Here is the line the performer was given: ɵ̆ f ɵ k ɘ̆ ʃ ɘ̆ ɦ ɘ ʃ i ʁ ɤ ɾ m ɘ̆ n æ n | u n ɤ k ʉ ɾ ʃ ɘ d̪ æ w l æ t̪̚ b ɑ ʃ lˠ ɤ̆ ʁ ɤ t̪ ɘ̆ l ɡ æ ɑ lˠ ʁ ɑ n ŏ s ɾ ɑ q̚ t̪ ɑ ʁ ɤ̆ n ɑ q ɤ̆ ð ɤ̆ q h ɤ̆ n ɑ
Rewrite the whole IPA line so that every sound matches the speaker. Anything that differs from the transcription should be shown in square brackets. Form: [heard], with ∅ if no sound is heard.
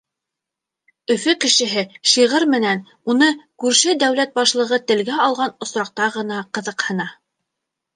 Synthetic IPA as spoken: ɵ̆ f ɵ k ɘ̆ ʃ ɘ̆ ɦ ɘ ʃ i ʁ ɤ ɾ m ɘ̆ n æ n | u n ɤ k ʉ ɾ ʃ ɘ d̪ æ w l æ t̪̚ b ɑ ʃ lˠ ɤ̆ ʁ ɤ t̪ ɘ̆ l ɡ æ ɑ lˠ ʁ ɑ n ŏ s ɾ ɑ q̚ t̪ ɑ ʁ ɤ̆ n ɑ q ɤ̆ ð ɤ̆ q h ɤ̆ n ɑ